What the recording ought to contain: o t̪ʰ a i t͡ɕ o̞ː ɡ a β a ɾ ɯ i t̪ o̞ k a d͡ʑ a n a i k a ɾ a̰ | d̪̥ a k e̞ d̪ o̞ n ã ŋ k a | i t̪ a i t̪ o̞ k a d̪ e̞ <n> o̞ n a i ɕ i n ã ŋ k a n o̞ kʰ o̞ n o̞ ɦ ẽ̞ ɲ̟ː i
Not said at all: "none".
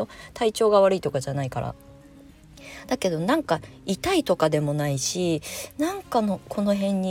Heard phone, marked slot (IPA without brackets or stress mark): m